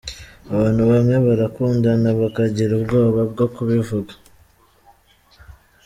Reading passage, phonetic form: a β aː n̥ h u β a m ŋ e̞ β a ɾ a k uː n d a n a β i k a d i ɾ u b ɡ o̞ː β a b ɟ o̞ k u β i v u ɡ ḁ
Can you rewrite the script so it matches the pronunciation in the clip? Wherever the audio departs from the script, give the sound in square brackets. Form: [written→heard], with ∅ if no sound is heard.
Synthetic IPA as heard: a β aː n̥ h u β a m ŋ e̞ β a ɾ a k uː n d a n a β [i→a] k a [d→ɟ] i ɾ u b ɡ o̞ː β a b [ɟ→ɡ] o̞ k u β i v u ɡ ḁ